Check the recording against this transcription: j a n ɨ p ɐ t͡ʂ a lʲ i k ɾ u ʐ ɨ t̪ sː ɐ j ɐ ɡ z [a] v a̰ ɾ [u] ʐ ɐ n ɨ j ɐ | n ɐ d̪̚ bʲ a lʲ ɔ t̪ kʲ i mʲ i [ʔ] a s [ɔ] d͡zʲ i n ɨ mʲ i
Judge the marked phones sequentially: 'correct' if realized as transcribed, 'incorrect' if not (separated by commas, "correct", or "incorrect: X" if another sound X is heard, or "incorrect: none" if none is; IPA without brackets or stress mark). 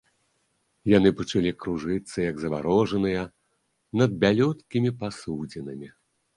incorrect: ɐ, incorrect: ɔ, incorrect: p, incorrect: u